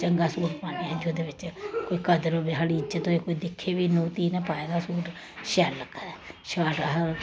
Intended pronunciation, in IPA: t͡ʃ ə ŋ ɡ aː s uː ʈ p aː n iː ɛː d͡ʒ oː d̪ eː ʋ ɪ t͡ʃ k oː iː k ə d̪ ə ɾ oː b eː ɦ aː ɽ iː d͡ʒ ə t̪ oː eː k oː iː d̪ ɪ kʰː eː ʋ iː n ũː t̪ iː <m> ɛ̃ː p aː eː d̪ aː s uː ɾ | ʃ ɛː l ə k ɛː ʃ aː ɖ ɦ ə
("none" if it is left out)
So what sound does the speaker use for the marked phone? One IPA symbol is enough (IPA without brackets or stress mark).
n